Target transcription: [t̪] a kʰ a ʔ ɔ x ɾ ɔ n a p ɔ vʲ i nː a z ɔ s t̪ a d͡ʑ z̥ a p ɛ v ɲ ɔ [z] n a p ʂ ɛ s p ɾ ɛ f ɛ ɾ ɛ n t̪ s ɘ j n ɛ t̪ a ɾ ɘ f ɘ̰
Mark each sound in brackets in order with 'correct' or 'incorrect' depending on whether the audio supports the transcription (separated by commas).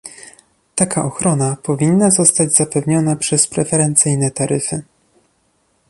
correct, incorrect